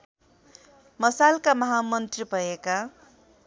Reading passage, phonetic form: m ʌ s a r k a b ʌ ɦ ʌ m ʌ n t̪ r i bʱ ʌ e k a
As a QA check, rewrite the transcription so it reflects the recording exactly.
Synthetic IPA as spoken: m ʌ s a l k a m ʌ ɦ a m ʌ n t̪ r i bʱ ʌ e k a